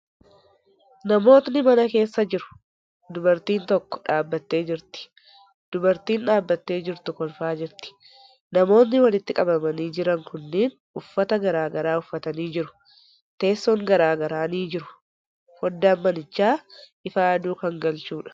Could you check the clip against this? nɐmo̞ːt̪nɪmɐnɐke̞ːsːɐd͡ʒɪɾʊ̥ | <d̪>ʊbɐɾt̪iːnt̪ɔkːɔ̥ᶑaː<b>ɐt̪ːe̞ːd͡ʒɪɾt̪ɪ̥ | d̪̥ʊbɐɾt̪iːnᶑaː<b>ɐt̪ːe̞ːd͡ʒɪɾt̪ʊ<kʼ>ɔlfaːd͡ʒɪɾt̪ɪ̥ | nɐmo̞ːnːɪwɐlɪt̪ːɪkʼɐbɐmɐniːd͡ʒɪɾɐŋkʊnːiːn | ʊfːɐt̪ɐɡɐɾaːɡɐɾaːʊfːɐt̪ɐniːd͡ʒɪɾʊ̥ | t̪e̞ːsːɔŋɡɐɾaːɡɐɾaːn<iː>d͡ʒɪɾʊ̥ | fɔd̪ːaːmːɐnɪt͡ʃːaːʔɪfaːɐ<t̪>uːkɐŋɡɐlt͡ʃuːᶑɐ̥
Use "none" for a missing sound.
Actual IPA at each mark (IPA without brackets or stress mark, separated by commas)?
d̪, bː, bː, k, iː, d̪